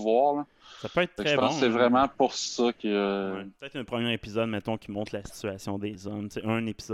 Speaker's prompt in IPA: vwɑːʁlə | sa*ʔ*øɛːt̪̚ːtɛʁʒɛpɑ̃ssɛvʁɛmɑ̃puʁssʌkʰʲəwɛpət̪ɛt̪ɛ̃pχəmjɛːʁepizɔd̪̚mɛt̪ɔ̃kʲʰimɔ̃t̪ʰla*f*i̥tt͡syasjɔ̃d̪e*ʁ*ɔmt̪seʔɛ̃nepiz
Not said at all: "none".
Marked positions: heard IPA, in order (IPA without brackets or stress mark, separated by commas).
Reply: p, s, z